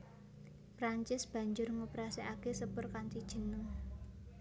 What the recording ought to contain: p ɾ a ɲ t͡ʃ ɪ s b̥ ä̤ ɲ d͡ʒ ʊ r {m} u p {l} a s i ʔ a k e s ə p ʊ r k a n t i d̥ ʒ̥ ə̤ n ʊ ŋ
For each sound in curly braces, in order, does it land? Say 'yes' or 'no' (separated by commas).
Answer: no, no